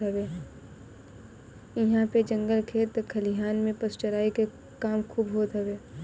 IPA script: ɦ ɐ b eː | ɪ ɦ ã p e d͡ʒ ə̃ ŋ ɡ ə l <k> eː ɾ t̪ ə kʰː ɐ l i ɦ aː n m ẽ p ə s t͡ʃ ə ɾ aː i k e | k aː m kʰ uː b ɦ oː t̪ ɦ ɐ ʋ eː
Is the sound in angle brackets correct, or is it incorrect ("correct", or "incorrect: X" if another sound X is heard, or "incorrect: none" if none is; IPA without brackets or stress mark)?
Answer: incorrect: kʰ